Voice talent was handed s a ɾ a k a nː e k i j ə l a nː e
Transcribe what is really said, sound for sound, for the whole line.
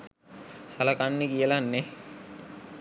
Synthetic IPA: s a l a k a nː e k i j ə l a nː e